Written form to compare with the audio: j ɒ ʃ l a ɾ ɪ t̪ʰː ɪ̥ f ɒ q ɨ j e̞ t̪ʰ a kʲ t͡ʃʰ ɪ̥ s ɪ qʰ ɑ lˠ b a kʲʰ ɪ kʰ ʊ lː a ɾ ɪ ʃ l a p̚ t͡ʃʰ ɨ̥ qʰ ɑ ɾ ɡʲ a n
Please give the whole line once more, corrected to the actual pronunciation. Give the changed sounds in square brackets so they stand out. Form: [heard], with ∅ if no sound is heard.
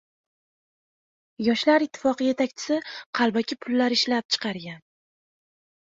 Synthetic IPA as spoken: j ɒ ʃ l a ɾ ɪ t̪ʰː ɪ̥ f ɒ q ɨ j e̞ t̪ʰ a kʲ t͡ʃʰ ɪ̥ s ɪ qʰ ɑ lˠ b a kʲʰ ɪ [pʰ] ʊ lː a ɾ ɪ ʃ l a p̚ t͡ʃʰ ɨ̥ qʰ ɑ ɾ ɡʲ a n

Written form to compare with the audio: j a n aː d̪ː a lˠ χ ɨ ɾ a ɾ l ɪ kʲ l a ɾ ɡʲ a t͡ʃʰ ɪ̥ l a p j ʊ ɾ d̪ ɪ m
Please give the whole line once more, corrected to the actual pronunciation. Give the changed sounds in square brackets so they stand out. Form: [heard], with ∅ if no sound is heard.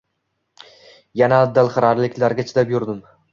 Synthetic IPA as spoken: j a n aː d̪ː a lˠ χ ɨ ɾ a ɾ l ɪ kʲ l a ɾ ɡʲ a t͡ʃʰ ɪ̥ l a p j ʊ ɾ d̪ ɪ m

